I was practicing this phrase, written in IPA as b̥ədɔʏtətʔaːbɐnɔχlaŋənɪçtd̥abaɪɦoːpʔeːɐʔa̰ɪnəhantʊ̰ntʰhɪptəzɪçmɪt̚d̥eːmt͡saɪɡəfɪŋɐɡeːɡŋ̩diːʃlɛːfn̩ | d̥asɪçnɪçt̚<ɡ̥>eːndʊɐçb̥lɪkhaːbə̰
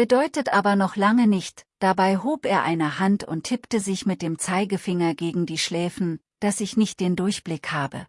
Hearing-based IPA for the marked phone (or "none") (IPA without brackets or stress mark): d̥